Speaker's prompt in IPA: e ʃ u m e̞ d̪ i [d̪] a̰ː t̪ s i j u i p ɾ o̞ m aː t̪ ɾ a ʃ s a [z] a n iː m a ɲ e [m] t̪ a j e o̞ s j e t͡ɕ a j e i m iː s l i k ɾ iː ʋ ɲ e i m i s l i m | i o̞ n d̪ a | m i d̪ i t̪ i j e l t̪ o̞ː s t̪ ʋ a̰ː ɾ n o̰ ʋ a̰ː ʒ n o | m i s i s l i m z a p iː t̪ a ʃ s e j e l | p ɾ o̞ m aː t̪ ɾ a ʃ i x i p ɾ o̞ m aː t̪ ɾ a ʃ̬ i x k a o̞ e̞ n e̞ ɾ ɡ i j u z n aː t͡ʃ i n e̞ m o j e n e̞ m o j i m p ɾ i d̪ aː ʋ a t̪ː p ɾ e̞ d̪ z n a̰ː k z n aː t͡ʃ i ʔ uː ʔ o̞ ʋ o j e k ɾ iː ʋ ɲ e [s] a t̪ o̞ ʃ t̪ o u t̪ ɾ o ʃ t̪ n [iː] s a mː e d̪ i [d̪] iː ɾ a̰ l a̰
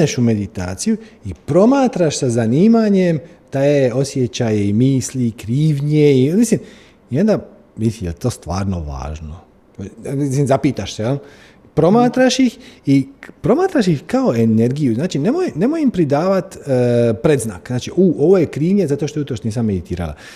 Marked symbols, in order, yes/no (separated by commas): no, yes, yes, no, yes, no